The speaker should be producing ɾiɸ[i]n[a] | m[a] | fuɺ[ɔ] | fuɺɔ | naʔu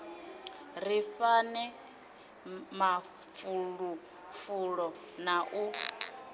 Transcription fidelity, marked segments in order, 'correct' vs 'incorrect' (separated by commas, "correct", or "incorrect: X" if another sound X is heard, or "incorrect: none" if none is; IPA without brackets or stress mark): incorrect: a, incorrect: ɛ, correct, incorrect: u